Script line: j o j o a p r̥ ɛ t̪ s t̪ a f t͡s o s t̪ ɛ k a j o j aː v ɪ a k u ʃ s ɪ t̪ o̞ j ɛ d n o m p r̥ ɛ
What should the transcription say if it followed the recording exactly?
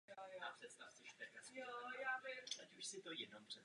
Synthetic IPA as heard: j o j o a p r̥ ɛ t̪ s t̪ a f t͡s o ʃ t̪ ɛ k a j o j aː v ɪ a c u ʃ s ɪ t̪ o̞ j ɛ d n o m p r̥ ɛ